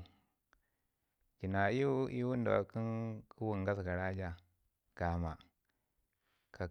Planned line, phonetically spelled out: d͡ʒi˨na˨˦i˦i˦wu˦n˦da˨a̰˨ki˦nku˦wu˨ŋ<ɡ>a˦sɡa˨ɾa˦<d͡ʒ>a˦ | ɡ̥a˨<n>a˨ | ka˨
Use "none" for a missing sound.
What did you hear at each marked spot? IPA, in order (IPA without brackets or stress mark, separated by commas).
ɡ, d͡ʒ, m